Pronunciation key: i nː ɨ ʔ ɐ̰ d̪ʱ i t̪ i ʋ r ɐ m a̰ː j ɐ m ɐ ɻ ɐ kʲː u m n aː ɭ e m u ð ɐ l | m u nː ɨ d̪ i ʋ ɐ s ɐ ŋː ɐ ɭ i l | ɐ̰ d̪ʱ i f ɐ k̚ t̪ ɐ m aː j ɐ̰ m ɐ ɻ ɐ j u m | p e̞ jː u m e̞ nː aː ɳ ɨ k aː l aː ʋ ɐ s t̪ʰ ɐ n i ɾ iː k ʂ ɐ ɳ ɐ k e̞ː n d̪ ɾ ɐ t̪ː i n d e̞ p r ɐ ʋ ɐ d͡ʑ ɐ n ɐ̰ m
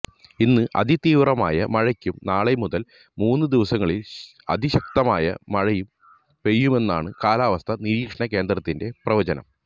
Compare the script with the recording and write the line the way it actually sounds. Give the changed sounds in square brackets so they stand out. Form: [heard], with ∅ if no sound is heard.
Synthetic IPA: i nː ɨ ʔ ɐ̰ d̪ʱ i t̪ [iː] ʋ r ɐ m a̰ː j ɐ m ɐ ɻ ɐ kʲː u m n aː ɭ e m u ð ɐ l | m [uː] nː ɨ d̪ i ʋ ɐ s ɐ ŋː ɐ ɭ i l | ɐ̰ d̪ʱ i [ɕ] ɐ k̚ t̪ ɐ m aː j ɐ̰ m ɐ ɻ ɐ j u m | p e̞ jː u m e̞ nː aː ɳ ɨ k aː l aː ʋ ɐ s t̪ʰ ɐ n i ɾ iː k ʂ ɐ ɳ ɐ k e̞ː n d̪ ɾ ɐ t̪ː i n d e̞ p r ɐ ʋ ɐ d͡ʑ ɐ n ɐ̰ m